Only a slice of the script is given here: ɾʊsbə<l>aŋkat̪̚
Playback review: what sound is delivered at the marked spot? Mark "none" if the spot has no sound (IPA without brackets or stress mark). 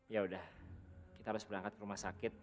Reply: ɾ